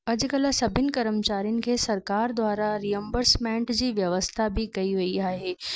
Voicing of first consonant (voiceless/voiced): voiced